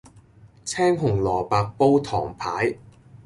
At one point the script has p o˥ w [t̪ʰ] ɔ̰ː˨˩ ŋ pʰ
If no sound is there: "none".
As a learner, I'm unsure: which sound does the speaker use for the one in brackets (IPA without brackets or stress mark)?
t̪ʰ